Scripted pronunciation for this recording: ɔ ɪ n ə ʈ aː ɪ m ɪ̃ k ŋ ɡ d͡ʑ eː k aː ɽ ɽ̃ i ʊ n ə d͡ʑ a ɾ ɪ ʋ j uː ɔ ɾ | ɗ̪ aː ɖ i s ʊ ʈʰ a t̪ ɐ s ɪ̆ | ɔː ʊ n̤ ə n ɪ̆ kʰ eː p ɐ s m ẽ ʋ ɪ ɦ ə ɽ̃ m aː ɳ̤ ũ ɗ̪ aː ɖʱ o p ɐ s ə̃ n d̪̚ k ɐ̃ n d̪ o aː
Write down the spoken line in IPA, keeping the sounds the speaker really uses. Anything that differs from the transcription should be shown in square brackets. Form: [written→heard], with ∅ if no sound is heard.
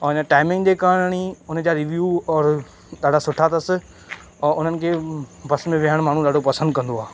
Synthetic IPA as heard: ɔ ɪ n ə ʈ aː ɪ m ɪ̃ [k→∅] ŋ ɡ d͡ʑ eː k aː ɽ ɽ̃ i ʊ n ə d͡ʑ a ɾ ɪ ʋ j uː [ɔ→ɔː] ɾ | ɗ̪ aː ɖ [i→a] s ʊ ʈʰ a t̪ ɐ s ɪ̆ | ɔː ʊ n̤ ə n ɪ̆ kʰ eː [p→b] ɐ s m ẽ ʋ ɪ ɦ ə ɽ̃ m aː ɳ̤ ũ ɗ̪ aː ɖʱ o p ɐ s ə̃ n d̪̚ k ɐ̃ n d̪ o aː